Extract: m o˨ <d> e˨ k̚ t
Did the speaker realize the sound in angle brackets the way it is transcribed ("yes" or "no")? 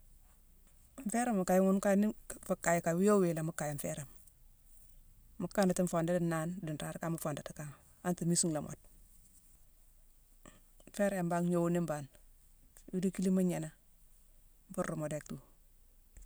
yes